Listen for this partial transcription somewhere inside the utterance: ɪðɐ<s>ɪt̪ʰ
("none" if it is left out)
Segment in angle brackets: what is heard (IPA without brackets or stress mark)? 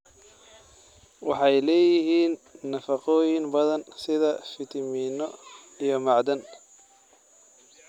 f